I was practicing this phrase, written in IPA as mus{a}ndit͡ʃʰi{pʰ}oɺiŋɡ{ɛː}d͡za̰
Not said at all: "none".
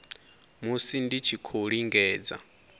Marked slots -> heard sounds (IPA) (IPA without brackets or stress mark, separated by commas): i, kʰ, ɛː